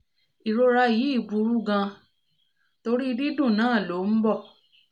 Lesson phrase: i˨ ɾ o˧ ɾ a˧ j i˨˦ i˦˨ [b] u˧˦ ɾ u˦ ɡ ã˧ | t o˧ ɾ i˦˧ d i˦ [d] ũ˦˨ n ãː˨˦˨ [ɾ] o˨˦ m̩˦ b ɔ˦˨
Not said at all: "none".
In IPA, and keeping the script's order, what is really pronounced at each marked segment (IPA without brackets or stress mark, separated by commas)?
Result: b, d, l